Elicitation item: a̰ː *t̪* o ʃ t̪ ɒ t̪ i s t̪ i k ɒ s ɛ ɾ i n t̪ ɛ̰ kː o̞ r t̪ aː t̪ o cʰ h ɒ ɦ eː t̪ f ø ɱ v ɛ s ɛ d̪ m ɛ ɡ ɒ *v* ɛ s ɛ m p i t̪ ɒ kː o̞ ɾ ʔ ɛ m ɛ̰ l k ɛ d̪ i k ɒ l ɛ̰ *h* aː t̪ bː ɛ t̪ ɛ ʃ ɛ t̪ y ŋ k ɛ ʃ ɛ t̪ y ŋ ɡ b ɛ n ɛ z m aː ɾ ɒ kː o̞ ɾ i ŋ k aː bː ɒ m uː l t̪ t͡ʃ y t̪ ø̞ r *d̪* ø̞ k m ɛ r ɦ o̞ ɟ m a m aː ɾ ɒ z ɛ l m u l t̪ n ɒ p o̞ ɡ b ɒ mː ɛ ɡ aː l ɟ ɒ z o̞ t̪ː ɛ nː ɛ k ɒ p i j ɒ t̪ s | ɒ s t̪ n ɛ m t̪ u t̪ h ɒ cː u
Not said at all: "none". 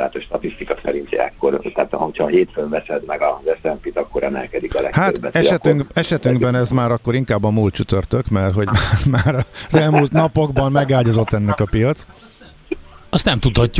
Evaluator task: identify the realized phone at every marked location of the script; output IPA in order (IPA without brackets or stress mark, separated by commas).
t̪, z, h, t̪